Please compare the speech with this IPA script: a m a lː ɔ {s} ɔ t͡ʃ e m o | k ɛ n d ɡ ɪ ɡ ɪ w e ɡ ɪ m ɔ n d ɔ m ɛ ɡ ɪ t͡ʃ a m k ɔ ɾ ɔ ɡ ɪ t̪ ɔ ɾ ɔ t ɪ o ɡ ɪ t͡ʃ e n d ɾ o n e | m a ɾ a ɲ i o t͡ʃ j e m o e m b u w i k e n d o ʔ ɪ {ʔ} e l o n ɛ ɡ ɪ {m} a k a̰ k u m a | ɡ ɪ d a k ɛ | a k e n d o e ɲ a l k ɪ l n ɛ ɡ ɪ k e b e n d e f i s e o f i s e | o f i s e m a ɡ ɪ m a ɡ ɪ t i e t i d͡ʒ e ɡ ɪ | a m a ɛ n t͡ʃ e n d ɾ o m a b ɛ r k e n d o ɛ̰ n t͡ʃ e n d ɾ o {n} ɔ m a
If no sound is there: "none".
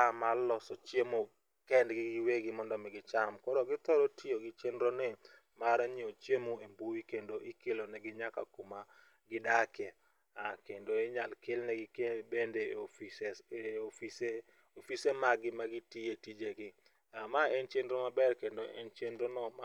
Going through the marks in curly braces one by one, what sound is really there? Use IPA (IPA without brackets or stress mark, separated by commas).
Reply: s, k, ɲ, n